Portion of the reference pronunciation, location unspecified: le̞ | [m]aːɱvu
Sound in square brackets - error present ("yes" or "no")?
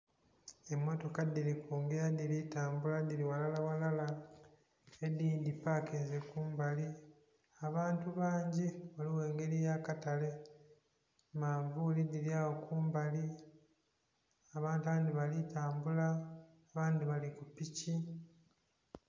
no